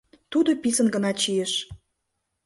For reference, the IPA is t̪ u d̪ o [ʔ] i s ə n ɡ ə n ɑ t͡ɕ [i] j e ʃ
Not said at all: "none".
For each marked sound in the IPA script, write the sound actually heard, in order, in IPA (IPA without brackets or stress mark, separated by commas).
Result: p, i